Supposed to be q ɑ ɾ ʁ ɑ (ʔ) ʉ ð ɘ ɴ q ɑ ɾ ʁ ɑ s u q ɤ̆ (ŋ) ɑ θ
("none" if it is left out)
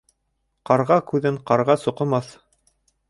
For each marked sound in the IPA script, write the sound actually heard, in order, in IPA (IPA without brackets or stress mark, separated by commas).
k, m